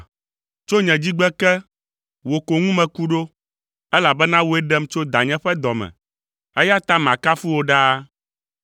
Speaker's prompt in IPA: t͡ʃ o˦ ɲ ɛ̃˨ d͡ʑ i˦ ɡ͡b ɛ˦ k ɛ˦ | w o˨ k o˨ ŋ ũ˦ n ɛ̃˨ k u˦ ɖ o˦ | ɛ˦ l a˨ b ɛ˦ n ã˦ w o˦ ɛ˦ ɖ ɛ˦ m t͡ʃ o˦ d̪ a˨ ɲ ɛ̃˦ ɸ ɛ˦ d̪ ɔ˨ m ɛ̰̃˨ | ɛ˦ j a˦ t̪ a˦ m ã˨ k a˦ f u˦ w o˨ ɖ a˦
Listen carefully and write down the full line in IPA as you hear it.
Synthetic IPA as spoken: t͡ʃ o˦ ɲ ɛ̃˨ d͡ʑ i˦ ɡ͡b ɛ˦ k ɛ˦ | w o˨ k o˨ ŋ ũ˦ m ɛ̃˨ k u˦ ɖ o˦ | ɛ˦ l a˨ b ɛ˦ n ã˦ w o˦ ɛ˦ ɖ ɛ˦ m t͡ʃ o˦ d̪ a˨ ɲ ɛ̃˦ ɸ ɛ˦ d̪ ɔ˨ m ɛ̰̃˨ | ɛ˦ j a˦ t̪ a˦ m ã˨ k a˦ f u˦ w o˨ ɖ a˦